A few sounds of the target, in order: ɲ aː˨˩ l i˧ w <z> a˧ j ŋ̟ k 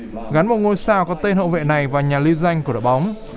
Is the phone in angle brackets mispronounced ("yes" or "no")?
no